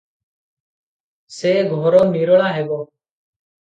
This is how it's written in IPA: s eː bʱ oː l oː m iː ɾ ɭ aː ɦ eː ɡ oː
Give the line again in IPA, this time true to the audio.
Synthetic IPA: s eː ɡʱ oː ɾ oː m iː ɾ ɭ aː ɦ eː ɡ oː